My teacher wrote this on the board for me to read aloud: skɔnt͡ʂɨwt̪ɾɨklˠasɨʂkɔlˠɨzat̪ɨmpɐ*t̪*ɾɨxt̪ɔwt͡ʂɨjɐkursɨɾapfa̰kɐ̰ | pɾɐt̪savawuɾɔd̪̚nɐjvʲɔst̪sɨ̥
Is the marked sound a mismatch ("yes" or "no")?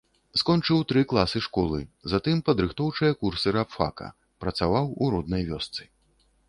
yes